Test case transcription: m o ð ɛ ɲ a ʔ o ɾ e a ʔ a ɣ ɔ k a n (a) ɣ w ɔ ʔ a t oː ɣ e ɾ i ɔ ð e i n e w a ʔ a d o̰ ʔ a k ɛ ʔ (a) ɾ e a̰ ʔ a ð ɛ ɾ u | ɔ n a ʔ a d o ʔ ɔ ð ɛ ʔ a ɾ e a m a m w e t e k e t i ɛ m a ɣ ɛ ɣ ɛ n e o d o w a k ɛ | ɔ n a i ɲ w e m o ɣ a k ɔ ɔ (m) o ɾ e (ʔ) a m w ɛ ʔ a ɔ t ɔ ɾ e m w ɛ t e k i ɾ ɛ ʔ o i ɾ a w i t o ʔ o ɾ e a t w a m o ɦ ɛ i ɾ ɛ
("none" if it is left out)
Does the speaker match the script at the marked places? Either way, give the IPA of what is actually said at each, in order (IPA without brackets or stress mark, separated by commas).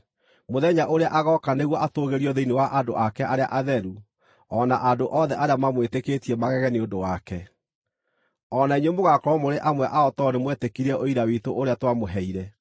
e, a, m, ʔ